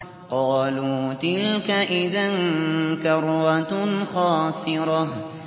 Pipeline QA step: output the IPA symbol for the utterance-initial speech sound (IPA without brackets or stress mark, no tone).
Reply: q